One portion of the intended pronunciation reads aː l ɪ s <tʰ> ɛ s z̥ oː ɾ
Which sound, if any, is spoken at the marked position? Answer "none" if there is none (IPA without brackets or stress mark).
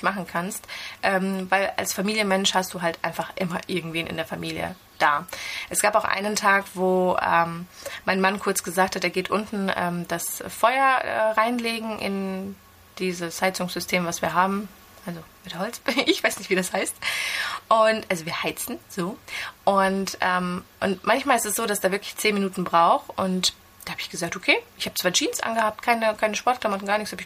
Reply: t